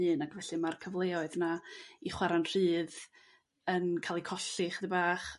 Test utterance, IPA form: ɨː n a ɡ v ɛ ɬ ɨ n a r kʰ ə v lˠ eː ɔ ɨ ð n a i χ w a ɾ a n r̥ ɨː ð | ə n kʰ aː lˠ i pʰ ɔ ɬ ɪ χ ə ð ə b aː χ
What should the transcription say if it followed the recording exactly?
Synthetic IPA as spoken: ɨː n a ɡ v ɛ ɬ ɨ m a r kʰ ə v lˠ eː ɔ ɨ ð n a i χ w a ɾ a n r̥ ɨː ð | ə n kʰ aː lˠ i kʰ ɔ ɬ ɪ χ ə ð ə b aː χ